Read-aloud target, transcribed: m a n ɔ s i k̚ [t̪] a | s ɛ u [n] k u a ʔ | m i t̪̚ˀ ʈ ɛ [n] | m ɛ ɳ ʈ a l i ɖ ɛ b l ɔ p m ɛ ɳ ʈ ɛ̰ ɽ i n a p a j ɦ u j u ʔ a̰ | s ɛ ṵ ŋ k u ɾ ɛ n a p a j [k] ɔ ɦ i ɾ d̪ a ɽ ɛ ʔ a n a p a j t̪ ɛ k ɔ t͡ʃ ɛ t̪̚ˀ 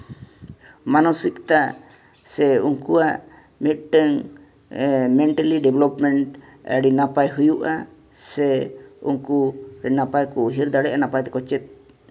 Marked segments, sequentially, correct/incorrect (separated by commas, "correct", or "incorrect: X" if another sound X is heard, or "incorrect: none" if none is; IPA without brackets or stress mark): correct, incorrect: ŋ, incorrect: ŋ, correct